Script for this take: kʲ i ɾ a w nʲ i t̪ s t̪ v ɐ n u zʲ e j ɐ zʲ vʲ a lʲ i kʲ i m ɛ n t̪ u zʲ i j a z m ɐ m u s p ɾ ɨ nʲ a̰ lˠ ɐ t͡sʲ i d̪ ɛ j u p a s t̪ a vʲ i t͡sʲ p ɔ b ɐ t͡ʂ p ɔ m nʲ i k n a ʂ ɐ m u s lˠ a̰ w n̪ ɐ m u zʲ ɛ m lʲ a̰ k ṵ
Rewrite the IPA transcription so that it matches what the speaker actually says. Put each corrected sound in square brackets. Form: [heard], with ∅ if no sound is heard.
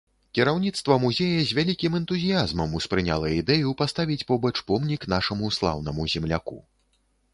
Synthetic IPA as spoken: kʲ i ɾ a w nʲ i t̪ s t̪ v ɐ [m] u zʲ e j ɐ zʲ vʲ a lʲ i kʲ i m ɛ n t̪ u zʲ i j a z m ɐ m u s p ɾ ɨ nʲ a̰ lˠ ɐ [∅] i d̪ ɛ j u p a s t̪ a vʲ i t͡sʲ p ɔ b ɐ t͡ʂ p ɔ m nʲ i k n a ʂ ɐ m u s lˠ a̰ w n̪ ɐ m u zʲ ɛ m lʲ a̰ k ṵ